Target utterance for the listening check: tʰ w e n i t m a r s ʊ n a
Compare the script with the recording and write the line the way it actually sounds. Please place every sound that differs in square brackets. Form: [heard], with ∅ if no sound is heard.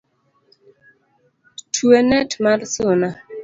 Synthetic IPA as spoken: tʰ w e n [ɛ] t m a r s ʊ n a